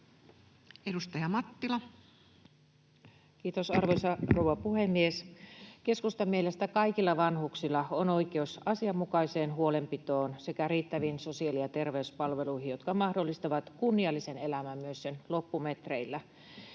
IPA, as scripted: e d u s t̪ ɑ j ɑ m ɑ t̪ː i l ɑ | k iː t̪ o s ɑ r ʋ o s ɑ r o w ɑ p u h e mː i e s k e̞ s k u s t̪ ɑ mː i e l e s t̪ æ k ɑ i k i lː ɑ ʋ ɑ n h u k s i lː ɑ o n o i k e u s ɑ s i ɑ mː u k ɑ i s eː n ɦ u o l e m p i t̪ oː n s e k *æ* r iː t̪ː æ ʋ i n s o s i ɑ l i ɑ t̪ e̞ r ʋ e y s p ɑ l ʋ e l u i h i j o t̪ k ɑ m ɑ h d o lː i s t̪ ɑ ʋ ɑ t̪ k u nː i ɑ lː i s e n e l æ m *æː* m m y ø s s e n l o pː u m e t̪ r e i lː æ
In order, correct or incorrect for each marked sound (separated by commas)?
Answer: correct, incorrect